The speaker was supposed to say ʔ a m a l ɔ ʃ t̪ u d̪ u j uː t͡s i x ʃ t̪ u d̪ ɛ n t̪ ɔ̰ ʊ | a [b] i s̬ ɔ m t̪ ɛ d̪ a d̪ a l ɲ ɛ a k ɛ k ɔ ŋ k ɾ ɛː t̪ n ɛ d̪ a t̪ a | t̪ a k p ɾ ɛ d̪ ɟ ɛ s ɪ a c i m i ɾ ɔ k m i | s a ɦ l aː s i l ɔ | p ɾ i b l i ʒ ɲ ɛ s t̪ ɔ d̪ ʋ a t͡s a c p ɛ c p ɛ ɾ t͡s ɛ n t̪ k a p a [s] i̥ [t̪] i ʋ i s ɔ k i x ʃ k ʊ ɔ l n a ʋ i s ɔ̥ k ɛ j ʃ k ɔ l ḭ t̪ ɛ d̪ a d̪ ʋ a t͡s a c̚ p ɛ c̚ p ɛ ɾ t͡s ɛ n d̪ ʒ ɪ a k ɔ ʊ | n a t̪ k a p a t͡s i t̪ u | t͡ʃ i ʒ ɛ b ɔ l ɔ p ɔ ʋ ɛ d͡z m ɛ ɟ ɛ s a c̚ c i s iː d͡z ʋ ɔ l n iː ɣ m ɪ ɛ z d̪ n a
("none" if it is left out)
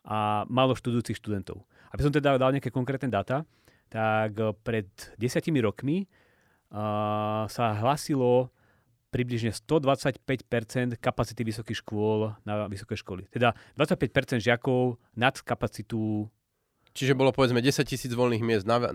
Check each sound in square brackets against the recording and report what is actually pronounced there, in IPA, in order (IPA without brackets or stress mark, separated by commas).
b, t͡s, t̪